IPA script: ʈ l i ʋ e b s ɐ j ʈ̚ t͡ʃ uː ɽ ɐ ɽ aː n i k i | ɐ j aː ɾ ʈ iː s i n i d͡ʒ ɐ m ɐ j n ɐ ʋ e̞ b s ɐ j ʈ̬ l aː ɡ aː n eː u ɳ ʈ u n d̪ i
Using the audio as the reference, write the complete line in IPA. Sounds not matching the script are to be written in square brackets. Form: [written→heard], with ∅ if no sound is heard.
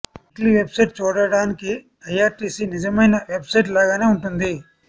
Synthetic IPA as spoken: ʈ l i ʋ e b s ɐ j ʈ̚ t͡ʃ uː ɽ ɐ ɽ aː n i k i | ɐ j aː ɾ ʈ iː s i n i d͡ʒ ɐ m ɐ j n ɐ ʋ e̞ b s ɐ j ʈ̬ l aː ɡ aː n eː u ɳ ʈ u n d̪ i